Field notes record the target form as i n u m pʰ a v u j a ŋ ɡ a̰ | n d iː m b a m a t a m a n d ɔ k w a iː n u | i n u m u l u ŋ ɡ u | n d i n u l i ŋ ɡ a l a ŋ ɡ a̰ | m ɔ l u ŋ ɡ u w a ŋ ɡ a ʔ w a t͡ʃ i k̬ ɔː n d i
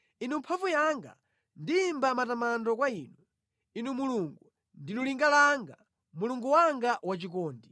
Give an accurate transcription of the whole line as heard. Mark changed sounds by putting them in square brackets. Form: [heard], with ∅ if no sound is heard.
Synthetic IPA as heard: i n u m pʰ a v u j a ŋ ɡ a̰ | n d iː m b a m a t a m a n d ɔ k w a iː n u | i n u m u l u ŋ ɡ u | n d i n u l i ŋ ɡ a l a ŋ ɡ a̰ | m [u] l u ŋ ɡ u w a ŋ ɡ a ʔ w a t͡ʃ i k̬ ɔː n d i